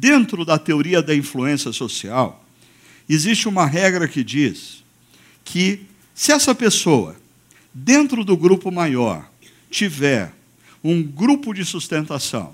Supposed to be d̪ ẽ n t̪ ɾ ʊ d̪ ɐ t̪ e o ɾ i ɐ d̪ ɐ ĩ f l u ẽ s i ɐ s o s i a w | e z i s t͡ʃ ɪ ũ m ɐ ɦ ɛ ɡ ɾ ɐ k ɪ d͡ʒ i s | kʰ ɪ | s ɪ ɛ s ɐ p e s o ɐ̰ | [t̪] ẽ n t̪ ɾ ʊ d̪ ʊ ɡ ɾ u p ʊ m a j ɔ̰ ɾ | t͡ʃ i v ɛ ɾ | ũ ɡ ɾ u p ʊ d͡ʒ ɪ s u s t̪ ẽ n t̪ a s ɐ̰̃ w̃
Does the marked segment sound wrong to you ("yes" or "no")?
yes